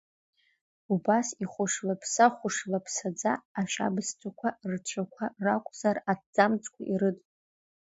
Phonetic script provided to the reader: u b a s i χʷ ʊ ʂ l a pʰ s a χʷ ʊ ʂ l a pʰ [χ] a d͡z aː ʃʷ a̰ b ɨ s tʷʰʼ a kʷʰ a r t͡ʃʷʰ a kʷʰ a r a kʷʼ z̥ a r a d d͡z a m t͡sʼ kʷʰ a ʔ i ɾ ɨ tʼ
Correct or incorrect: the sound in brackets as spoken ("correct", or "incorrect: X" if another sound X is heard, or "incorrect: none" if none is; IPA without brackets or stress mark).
incorrect: s